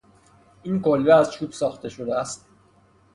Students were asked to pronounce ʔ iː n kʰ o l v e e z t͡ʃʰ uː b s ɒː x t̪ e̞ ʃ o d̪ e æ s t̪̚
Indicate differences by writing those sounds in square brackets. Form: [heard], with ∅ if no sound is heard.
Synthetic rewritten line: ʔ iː n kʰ o l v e [æ] z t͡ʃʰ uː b s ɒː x t̪ e̞ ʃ o d̪ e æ s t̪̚